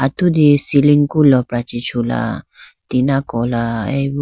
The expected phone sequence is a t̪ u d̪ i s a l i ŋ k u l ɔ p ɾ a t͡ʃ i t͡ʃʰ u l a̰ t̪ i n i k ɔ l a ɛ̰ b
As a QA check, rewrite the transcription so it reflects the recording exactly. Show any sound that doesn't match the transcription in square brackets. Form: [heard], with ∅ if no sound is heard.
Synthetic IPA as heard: a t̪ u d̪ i s [i] l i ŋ k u l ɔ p ɾ a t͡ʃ i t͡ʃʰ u l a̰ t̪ i n [a] k ɔ l a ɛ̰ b